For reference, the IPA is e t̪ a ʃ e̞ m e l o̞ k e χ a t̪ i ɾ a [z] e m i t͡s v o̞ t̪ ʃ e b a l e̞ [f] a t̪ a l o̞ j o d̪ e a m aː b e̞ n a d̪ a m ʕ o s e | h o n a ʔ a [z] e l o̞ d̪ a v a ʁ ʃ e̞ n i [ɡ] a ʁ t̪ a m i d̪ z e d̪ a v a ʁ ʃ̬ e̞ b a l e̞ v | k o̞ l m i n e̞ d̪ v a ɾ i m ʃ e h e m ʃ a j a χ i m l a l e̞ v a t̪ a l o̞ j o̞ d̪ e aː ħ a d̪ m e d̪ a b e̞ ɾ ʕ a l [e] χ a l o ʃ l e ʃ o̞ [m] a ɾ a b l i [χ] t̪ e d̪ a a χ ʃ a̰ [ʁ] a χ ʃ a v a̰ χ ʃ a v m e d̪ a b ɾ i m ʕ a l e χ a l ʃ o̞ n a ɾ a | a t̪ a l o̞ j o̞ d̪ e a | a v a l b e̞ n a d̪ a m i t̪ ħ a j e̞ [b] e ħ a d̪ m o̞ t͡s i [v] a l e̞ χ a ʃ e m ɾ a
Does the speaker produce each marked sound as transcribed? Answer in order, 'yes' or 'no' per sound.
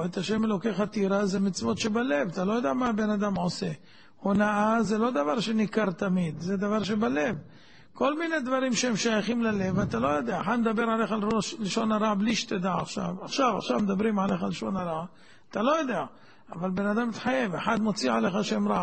yes, no, yes, no, yes, no, no, no, no, no

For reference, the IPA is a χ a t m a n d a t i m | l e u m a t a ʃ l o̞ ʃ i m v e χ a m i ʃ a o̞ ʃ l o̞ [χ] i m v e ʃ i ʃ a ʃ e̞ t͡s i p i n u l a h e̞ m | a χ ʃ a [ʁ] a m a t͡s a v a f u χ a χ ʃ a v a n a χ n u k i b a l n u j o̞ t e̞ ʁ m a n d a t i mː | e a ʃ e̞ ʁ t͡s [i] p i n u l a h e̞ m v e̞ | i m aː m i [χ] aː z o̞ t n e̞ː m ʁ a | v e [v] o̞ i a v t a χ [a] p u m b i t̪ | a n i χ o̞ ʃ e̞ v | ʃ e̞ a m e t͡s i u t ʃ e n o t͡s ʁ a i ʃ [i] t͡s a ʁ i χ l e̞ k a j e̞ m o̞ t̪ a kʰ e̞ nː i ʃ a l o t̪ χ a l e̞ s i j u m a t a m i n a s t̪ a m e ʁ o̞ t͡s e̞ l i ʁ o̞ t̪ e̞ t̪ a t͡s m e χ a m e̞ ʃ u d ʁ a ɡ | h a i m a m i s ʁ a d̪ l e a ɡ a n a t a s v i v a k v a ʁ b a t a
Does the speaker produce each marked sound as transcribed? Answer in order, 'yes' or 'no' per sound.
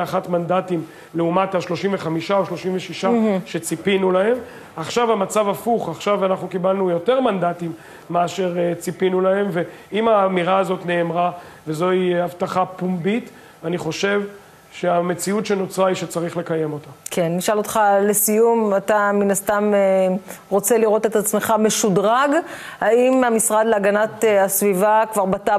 no, no, yes, no, no, yes, no

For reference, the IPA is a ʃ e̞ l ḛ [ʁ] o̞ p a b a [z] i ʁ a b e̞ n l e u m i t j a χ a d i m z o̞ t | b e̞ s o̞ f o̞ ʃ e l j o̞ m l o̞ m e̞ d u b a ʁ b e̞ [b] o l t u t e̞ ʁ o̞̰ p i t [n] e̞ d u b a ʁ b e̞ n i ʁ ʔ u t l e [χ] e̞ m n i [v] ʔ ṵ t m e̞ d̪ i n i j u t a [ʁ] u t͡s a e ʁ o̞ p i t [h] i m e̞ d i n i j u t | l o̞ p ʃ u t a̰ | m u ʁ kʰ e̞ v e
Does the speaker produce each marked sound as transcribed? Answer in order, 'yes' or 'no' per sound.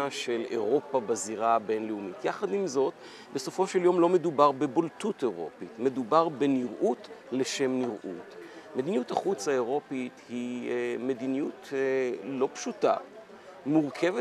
yes, yes, yes, no, no, no, no, yes

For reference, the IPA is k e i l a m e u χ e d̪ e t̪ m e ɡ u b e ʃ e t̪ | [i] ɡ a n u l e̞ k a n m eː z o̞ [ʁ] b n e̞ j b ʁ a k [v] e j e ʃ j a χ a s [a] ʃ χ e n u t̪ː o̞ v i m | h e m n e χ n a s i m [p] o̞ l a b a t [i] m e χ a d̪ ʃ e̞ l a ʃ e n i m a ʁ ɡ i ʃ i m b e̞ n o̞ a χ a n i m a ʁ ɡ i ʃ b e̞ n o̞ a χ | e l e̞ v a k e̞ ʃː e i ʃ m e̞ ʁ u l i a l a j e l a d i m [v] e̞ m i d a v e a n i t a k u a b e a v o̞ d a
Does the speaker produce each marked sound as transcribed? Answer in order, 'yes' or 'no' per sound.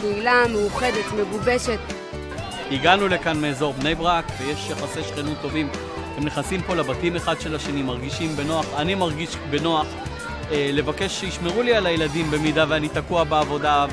yes, yes, yes, no, yes, yes, no

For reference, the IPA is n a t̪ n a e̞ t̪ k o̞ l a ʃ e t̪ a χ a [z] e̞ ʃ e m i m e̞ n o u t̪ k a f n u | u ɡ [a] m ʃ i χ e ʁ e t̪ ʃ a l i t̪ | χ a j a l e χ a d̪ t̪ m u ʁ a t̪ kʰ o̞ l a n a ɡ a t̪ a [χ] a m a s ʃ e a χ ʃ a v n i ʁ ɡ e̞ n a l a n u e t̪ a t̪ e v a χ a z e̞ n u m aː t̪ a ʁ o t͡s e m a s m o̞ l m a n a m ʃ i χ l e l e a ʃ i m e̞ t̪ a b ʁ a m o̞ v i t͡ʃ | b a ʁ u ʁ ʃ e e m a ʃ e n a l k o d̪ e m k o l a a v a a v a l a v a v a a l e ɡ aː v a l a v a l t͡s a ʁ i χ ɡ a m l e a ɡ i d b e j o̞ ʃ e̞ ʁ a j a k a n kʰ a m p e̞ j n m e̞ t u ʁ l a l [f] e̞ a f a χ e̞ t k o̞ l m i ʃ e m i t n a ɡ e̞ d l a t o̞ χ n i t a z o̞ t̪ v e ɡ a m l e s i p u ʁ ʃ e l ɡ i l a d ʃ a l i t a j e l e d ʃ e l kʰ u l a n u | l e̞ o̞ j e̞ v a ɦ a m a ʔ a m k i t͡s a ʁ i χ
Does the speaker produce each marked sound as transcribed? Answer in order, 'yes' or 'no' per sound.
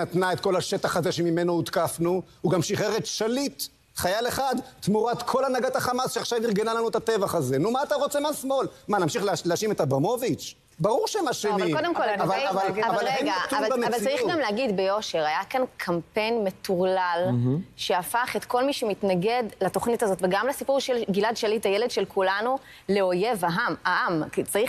yes, yes, yes, no

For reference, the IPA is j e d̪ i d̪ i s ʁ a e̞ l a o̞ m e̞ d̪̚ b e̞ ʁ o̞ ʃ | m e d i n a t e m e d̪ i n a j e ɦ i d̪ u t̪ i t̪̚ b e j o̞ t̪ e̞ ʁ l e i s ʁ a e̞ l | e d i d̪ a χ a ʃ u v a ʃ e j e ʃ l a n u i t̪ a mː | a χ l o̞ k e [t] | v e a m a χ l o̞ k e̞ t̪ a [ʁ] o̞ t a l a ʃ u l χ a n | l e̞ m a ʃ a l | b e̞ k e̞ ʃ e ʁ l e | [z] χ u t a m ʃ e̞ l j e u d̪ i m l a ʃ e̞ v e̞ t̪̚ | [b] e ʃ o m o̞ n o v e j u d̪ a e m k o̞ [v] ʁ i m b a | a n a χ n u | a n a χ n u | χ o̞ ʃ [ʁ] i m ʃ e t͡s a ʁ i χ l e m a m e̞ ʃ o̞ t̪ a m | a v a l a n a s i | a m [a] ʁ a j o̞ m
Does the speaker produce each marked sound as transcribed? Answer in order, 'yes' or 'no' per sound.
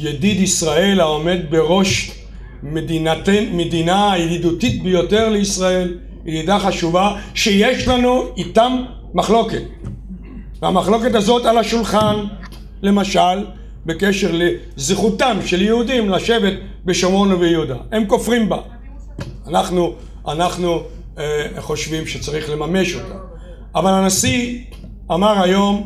yes, no, yes, yes, no, no, yes

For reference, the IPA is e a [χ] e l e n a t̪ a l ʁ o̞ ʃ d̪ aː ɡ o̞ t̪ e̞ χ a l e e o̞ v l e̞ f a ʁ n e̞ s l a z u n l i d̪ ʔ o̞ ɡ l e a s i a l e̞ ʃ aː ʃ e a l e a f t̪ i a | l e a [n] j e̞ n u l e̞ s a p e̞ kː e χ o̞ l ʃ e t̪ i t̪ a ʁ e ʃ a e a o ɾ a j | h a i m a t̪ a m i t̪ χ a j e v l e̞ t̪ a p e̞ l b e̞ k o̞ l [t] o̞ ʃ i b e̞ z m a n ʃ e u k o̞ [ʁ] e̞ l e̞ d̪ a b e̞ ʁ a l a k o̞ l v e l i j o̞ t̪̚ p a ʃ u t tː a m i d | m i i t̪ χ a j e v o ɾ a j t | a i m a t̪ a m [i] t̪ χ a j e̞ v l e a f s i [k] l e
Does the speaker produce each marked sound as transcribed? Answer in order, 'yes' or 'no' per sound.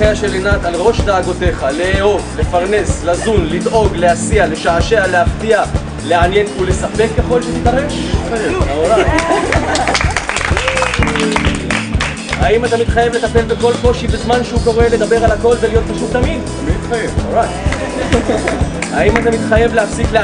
no, yes, no, yes, yes, yes

